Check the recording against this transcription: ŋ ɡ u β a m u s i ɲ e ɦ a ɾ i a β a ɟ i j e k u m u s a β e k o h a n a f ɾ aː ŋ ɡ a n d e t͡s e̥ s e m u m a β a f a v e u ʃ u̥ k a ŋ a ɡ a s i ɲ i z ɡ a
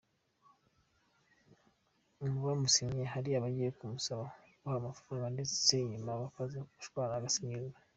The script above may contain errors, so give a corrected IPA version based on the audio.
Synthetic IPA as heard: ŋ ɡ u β a m u s i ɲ e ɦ a ɾ i a β a ɟ i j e k u m u s a β a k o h a m a f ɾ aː ŋ ɡ a n d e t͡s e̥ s e ɲ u m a β a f a z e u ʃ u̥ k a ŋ a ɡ a s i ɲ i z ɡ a